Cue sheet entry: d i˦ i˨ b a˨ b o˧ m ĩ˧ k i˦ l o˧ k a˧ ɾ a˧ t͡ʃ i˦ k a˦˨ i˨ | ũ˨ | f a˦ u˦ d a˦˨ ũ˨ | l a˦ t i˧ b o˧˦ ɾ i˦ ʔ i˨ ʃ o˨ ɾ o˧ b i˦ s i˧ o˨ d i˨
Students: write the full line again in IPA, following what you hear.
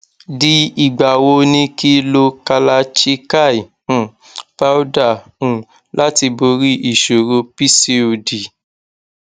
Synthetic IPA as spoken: d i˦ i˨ ɡ͡b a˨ w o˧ n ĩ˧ k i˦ l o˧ k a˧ l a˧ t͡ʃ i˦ k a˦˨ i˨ | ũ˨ | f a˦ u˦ d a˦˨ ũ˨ | l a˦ t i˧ b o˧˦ ɾ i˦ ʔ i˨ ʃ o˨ ɾ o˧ p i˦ s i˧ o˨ d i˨